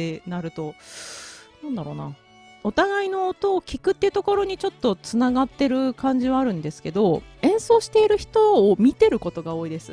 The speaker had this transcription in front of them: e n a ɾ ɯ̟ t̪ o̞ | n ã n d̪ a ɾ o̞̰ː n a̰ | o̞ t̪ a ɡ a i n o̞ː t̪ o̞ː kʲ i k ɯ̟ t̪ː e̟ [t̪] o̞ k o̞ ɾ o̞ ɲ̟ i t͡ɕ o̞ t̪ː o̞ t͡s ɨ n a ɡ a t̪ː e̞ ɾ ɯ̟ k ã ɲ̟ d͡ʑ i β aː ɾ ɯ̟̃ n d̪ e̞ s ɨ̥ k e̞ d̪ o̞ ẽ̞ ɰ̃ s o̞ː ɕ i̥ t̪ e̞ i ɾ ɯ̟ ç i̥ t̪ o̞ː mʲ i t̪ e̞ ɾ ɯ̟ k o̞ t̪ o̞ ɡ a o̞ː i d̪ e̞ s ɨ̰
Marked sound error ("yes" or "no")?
no